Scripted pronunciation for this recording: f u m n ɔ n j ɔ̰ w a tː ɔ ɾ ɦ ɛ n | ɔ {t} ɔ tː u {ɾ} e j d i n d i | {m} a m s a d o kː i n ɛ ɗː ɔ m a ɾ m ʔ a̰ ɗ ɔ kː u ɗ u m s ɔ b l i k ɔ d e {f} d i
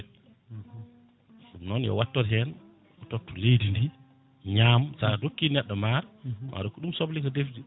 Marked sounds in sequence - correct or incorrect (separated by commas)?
correct, incorrect, incorrect, correct